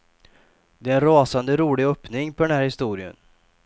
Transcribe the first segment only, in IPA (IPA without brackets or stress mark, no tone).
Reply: d̪